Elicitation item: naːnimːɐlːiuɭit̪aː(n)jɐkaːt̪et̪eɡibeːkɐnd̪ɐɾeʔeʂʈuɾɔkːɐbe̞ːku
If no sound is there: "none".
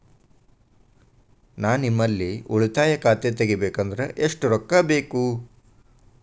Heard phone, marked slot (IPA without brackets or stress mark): none